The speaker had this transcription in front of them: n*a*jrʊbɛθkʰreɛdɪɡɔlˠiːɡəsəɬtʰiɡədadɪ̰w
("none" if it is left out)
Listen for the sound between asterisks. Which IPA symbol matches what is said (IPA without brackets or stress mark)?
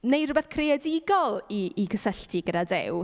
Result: e